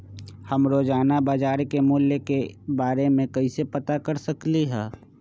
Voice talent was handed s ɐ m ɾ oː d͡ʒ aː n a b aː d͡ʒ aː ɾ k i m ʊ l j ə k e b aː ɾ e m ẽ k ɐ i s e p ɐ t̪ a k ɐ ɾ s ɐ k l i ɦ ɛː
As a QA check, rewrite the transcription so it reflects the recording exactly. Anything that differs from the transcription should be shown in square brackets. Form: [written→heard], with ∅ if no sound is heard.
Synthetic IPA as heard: [s→h] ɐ m ɾ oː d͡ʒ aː n a b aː d͡ʒ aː ɾ k [i→e] m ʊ l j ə k e b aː ɾ e m ẽ k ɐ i s e p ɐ t̪ a k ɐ ɾ s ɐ k l i ɦ ɛː